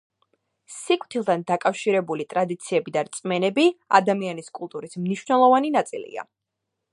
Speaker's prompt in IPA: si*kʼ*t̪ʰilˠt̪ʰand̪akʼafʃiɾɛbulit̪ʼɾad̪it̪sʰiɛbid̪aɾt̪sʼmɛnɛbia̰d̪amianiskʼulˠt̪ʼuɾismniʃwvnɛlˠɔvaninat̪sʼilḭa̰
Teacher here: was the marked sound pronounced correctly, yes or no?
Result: yes